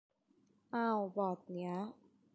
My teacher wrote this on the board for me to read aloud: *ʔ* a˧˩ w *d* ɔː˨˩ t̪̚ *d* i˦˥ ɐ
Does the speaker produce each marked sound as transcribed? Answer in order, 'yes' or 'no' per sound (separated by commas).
yes, no, no